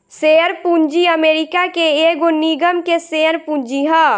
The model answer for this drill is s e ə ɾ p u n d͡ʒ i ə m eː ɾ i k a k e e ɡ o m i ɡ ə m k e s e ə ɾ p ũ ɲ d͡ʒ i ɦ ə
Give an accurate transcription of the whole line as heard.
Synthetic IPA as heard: s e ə ɾ p u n d͡ʒ i ə m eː ɾ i k a k e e ɡ o n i ɡ ə m k e s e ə ɾ p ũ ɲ d͡ʒ i ɦ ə